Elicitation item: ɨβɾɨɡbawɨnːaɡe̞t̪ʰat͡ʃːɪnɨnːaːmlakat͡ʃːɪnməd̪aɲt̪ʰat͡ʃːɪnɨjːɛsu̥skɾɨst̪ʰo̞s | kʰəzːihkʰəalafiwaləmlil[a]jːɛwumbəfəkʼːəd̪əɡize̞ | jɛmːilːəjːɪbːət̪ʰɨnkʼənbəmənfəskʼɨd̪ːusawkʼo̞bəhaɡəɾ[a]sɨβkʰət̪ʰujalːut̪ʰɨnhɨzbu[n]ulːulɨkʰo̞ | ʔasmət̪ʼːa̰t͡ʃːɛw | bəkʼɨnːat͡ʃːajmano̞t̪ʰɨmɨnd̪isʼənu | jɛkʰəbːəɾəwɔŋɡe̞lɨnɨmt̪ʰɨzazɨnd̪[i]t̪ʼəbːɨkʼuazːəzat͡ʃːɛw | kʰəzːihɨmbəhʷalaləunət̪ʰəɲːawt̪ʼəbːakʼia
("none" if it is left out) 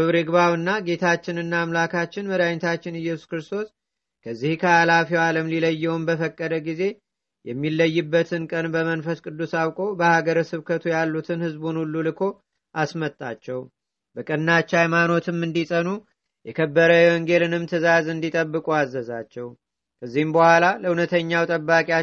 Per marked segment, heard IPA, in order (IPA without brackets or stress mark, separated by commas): ə, ə, n, i